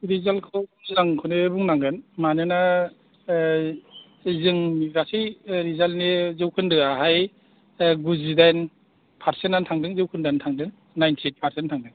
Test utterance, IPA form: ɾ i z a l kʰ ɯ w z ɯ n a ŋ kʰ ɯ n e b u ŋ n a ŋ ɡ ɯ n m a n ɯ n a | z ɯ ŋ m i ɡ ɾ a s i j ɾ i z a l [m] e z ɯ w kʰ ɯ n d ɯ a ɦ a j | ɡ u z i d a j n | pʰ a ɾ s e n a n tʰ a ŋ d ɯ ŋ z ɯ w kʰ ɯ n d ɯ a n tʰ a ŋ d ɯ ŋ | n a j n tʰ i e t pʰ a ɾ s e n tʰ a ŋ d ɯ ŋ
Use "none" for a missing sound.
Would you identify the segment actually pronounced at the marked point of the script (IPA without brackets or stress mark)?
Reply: n